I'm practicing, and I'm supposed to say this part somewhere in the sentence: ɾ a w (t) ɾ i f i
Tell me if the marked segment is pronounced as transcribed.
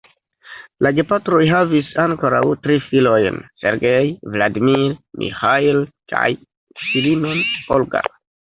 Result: yes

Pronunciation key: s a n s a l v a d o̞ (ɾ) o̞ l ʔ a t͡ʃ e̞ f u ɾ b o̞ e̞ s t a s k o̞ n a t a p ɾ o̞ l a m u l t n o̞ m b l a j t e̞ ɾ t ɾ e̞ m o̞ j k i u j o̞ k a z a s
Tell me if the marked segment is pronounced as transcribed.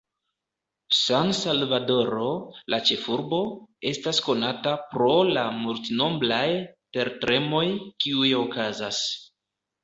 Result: yes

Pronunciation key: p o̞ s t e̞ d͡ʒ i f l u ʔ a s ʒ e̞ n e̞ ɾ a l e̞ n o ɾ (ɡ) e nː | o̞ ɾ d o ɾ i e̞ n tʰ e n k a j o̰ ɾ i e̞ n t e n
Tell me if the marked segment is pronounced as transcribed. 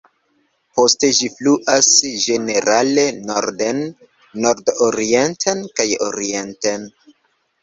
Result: no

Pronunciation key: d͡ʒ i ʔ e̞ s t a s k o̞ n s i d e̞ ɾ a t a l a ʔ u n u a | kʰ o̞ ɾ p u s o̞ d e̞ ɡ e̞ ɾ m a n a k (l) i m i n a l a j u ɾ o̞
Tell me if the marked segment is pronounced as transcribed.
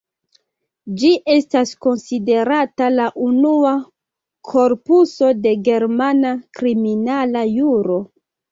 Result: no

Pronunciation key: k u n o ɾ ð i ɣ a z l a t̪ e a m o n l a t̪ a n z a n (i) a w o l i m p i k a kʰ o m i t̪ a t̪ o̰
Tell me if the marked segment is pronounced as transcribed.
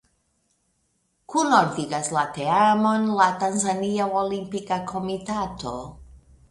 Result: yes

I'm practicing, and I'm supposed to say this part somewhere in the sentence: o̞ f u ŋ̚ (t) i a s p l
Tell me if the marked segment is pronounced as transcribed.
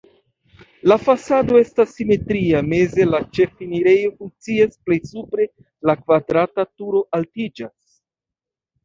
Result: no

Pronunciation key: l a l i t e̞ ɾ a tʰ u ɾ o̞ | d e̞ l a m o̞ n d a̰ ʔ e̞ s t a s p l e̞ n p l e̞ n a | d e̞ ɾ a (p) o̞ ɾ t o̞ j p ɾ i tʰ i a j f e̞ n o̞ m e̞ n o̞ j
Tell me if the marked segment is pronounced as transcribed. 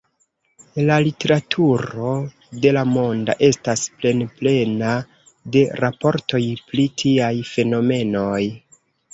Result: yes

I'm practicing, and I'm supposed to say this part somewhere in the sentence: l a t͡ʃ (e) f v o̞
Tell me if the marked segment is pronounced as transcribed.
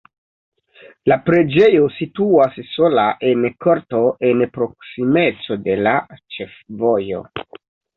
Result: yes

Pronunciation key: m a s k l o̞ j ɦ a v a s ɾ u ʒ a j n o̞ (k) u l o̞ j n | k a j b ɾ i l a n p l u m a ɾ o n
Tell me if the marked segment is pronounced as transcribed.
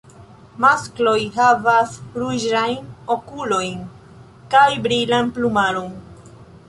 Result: yes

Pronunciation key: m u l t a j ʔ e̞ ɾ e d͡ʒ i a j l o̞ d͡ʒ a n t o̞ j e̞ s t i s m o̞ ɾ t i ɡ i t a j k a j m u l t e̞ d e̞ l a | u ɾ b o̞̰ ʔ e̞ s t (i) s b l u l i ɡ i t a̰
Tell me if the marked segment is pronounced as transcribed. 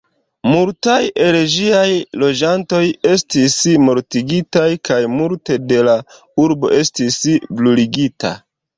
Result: yes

